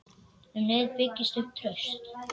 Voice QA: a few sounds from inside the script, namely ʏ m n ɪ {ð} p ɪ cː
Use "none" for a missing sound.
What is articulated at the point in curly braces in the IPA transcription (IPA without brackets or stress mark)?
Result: ð